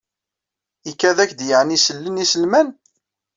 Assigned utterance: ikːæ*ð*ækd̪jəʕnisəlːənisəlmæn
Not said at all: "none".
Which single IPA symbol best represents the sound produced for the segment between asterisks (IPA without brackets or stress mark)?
ð